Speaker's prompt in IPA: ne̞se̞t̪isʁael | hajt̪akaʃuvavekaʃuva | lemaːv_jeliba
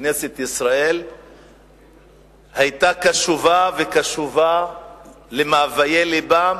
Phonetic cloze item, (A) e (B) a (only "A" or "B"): B